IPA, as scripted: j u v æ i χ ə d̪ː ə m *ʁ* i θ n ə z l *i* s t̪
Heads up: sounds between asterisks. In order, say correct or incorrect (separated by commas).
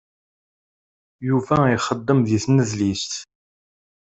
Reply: incorrect, correct